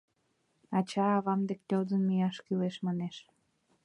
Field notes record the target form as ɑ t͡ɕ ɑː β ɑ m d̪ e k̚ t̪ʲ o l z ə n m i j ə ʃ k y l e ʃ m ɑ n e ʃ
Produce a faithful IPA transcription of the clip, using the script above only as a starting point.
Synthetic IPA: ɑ t͡ɕ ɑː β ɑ m d̪ e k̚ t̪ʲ o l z ə n m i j ɑ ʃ k y l e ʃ m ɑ n e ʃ